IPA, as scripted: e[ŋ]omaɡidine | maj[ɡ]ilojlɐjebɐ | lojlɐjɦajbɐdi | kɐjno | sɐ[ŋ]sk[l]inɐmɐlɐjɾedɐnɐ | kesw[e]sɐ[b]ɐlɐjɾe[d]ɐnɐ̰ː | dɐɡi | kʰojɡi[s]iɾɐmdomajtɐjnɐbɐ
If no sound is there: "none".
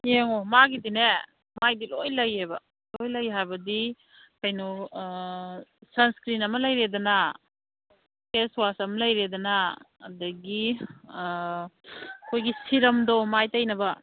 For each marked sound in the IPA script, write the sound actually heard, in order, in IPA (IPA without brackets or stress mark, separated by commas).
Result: ŋ, d, n, ɾ, a, m, d, s